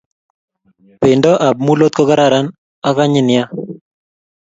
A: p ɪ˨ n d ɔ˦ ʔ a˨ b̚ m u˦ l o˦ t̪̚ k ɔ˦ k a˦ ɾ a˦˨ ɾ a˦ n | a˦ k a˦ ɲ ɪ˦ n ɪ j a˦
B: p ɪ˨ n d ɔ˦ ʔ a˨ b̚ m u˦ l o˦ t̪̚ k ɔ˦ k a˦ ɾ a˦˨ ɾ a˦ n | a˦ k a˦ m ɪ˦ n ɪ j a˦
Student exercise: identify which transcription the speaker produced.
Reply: A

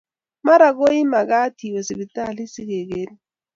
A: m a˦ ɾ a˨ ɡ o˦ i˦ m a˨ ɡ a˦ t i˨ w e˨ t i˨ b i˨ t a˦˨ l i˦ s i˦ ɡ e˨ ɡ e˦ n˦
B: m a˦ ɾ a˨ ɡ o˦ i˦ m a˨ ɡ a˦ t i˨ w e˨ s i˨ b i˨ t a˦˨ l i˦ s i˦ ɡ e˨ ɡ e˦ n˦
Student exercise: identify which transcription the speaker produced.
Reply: B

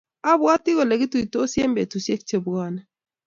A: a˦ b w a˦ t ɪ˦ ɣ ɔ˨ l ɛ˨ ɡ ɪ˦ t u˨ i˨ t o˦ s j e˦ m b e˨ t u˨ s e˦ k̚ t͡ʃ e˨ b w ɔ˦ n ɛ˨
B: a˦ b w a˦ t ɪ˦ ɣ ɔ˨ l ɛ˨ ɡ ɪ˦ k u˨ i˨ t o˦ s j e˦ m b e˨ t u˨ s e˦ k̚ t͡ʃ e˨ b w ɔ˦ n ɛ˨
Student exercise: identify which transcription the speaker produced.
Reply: A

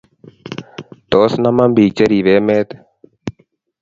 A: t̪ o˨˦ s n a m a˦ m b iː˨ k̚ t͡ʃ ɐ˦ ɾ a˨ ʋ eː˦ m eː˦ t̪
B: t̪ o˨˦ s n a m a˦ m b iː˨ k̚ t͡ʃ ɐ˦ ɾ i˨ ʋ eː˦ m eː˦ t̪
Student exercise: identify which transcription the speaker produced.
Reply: B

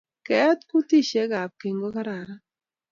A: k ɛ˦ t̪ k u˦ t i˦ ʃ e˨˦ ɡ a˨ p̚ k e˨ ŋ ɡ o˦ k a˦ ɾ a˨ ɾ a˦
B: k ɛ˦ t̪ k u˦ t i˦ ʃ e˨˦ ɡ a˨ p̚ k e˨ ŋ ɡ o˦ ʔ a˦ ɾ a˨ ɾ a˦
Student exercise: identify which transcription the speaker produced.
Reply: A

